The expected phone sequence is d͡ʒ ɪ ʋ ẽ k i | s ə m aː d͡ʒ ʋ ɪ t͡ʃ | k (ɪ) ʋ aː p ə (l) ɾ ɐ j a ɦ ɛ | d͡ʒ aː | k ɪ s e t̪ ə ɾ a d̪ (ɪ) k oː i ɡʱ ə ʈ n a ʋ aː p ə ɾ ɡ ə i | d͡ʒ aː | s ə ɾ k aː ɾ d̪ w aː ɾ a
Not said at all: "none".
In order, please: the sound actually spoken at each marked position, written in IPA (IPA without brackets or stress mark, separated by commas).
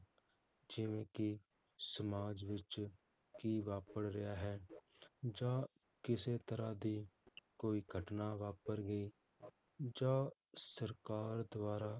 i, ɽ, i